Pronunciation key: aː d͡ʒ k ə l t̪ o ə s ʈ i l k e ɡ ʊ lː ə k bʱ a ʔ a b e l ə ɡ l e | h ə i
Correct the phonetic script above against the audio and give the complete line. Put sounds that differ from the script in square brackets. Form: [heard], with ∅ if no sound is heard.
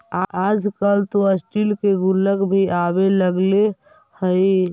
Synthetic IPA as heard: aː d͡ʒ k ə l t̪ o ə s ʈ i l k e ɡ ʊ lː ə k bʱ [i] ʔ a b e l ə ɡ l e | h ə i